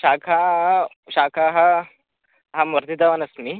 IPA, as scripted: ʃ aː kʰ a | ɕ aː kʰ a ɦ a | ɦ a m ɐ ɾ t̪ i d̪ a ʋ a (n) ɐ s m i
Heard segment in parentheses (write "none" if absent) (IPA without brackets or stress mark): n